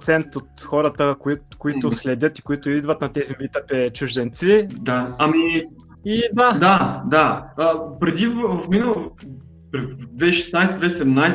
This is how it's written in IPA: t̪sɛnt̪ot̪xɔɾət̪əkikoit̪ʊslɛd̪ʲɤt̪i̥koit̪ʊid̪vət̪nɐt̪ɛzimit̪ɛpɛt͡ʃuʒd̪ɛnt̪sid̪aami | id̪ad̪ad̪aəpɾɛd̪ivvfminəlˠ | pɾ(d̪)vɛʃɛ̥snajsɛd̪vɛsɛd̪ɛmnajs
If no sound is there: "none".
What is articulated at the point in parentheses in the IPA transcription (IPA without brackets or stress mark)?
d̪